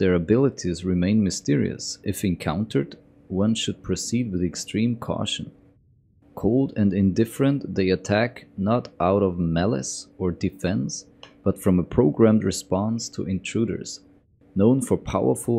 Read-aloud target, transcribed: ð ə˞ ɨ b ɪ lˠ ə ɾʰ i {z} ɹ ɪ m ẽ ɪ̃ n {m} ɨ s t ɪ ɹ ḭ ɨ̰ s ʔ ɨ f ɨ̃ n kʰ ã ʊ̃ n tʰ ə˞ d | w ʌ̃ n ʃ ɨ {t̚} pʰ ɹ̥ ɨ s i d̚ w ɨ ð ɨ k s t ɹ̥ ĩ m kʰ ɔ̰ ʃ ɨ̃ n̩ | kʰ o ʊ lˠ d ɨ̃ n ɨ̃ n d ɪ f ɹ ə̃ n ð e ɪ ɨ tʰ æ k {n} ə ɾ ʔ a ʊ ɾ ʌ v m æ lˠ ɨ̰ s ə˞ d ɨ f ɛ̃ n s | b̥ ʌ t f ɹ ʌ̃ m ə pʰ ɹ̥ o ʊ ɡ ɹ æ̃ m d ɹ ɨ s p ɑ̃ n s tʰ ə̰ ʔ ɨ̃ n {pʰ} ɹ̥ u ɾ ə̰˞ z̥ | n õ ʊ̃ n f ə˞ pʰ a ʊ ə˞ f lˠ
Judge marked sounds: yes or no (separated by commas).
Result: yes, yes, no, yes, no